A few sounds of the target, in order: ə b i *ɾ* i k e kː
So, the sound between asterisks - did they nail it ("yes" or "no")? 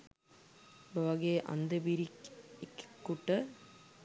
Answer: yes